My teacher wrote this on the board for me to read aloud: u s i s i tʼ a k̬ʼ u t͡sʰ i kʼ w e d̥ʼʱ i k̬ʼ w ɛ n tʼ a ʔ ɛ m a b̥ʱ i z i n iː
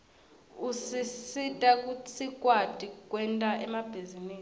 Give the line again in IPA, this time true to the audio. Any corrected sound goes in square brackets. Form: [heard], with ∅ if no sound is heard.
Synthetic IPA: u s i s i tʼ a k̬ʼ u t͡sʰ i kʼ w [a] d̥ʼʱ i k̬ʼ w ɛ n tʼ a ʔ ɛ m a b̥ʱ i z i n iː